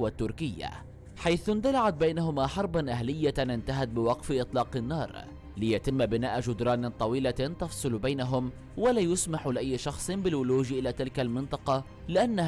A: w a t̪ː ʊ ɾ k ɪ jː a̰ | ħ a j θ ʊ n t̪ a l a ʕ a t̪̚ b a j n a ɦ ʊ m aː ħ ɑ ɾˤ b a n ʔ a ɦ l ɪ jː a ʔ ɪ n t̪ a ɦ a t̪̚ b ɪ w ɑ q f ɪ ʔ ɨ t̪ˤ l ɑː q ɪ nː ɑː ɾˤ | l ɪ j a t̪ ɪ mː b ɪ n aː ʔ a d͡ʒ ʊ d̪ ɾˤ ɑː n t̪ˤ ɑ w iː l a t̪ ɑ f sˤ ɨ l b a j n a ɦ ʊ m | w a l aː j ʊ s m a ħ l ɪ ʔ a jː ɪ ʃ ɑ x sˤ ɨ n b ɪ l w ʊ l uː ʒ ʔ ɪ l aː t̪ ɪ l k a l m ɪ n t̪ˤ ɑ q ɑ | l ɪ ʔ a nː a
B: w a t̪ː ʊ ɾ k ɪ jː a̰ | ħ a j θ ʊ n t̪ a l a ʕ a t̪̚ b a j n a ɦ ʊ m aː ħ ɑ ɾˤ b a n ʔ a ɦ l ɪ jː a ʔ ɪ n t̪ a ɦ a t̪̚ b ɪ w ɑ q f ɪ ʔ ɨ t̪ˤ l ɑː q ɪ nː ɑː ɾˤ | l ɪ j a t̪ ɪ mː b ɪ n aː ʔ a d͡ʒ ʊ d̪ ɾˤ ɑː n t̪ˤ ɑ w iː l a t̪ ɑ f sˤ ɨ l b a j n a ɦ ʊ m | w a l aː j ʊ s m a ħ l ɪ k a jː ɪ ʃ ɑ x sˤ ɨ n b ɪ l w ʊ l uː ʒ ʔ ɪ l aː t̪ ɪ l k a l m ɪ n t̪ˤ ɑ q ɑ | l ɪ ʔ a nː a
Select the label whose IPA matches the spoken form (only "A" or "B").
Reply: A